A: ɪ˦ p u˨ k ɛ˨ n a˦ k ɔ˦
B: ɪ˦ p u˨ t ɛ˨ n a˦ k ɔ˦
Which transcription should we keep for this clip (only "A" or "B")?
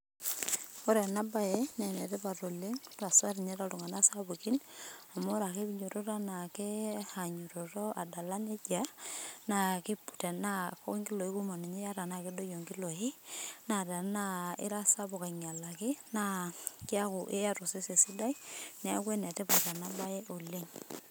B